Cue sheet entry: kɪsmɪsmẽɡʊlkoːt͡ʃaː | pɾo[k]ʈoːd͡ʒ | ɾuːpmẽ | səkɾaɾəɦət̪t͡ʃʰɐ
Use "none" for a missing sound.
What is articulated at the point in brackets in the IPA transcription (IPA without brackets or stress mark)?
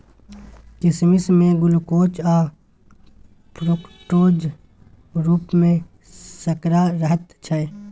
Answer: k